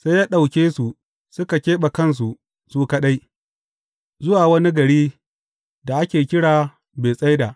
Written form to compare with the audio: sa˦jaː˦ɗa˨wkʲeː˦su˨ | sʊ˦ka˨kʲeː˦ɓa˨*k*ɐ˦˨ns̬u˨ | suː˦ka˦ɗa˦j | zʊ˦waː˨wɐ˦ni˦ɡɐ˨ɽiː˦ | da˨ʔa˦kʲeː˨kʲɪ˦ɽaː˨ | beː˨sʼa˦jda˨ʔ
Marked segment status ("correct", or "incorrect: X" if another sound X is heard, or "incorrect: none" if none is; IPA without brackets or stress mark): correct